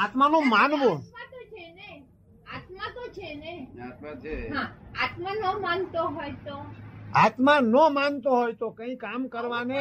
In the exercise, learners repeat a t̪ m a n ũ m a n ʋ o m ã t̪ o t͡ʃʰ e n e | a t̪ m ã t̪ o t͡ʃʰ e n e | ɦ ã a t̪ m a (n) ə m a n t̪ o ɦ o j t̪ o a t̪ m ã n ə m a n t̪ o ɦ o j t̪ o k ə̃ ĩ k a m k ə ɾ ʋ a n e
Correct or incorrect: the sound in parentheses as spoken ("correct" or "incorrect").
correct